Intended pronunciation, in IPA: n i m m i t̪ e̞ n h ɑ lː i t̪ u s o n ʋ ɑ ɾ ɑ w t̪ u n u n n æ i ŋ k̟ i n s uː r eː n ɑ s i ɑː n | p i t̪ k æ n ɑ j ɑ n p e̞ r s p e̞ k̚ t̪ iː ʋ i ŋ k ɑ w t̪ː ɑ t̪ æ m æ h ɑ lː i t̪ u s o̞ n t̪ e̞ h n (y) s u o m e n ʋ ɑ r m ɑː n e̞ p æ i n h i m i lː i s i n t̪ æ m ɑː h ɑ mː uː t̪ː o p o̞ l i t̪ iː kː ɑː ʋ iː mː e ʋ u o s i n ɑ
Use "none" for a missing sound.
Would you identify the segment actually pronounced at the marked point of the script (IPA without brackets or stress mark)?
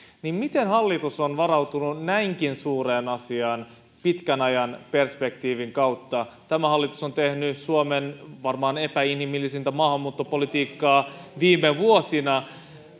y